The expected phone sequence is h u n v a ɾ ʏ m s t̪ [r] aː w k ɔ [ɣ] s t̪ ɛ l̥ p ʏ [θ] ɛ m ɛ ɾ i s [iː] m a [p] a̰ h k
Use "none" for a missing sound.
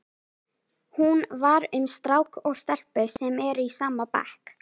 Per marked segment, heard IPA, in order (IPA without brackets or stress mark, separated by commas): ɾ, ɣ, s, aː, p